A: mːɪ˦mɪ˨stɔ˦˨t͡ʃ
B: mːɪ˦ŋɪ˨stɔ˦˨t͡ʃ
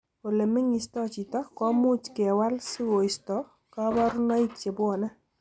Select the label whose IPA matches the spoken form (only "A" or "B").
B